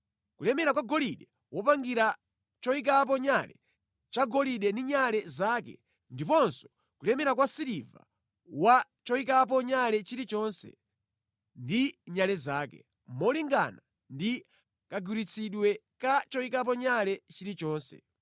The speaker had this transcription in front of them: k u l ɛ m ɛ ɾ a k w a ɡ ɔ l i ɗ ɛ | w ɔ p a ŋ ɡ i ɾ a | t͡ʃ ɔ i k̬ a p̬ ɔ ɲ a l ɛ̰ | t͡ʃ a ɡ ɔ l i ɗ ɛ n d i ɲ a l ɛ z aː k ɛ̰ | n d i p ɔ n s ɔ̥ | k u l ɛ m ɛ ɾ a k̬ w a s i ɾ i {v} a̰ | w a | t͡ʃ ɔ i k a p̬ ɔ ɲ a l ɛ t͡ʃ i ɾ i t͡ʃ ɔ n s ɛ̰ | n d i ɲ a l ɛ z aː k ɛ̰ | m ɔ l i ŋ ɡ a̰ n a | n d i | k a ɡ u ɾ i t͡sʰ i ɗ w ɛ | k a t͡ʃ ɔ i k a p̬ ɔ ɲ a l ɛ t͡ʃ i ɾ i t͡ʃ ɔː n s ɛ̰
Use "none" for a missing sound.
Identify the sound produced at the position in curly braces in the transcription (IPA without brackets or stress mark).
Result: v